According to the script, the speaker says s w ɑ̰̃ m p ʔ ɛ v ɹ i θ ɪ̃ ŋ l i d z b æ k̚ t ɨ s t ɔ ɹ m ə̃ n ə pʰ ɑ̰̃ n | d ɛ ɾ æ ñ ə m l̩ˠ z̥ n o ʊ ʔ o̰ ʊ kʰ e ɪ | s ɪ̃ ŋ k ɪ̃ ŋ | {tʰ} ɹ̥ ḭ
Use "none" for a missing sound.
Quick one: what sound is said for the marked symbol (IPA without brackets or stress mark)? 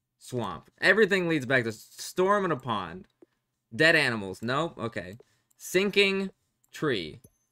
tʰ